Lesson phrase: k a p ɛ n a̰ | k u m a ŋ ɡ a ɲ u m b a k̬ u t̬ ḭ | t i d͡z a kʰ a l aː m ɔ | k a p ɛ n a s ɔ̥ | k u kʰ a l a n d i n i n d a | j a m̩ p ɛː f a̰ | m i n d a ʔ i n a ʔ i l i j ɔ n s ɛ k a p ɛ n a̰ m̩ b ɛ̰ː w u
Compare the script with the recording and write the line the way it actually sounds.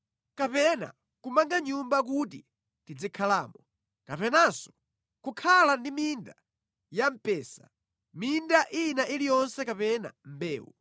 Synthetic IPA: k a p ɛ n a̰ | k u m a ŋ ɡ a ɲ u m b a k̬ u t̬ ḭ | t i d͡z i kʰ a l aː m ɔ | k a p ɛ n a s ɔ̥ | k u kʰ a l a n d i m i n d a | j a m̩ p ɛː s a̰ | m i n d a ʔ i n a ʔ i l i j ɔ n s ɛ k a p ɛ n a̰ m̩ b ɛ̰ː w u